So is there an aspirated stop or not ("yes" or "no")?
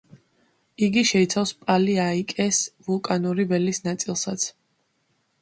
no